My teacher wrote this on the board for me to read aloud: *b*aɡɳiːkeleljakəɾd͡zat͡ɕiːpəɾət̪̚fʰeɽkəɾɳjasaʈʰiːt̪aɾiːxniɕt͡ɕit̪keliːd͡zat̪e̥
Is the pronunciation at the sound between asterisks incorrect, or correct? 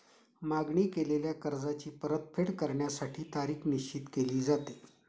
incorrect